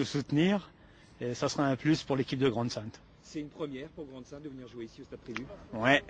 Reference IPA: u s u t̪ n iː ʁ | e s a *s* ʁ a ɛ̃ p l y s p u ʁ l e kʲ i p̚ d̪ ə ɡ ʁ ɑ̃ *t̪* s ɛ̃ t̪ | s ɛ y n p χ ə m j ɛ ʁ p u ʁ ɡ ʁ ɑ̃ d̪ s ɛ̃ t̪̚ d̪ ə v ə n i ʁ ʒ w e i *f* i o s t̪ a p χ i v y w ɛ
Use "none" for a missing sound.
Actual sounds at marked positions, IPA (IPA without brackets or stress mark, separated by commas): s, d̪, s